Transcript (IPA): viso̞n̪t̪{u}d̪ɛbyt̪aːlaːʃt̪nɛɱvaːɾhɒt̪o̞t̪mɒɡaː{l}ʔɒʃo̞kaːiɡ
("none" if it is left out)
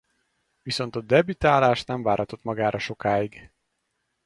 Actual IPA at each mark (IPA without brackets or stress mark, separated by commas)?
ɒ, ɾ